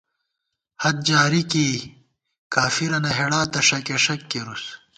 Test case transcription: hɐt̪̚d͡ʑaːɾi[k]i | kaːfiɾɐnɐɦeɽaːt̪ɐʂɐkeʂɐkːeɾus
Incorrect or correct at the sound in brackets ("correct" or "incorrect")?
correct